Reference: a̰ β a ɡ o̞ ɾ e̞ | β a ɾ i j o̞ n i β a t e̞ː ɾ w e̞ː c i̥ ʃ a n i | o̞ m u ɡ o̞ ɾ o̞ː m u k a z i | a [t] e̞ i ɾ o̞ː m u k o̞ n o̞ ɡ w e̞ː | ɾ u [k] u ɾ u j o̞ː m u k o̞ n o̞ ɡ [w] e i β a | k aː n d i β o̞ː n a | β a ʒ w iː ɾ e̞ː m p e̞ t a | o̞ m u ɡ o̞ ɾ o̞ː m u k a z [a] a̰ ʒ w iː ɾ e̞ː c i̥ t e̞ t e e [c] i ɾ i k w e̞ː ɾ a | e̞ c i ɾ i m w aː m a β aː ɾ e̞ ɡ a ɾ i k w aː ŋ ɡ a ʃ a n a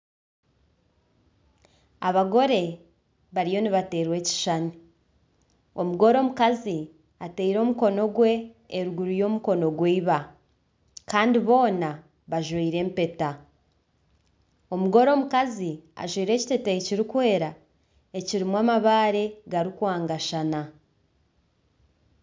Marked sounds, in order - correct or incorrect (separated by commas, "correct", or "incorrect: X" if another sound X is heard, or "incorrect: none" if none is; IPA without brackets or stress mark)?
correct, incorrect: ɡ, correct, incorrect: i, correct